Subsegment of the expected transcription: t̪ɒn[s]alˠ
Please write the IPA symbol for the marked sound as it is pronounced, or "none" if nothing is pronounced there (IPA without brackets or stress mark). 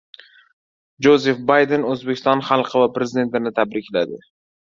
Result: χ